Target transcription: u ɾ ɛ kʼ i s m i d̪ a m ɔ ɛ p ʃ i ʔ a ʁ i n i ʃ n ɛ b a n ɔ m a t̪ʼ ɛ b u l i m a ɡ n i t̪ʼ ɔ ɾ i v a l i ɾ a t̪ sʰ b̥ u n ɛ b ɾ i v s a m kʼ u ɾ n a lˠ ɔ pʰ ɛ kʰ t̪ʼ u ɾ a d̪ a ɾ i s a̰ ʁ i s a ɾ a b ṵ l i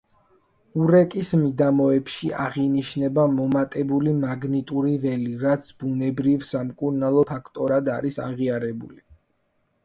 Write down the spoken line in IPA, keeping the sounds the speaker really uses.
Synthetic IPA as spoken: u ɾ ɛ kʼ i s m i d̪ a m ɔ ɛ p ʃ i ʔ a ʁ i n i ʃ n ɛ b a m ɔ m a t̪ʼ ɛ b u l i m a ɡ n i t̪ʼ u ɾ i v ɛ l i ɾ a t̪ sʰ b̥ u n ɛ b ɾ i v s a m kʼ u ɾ n a lˠ ɔ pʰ a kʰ t̪ʼ ɔ ɾ a d̪ a ɾ i s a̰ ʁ i a ɾ ɛ b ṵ l i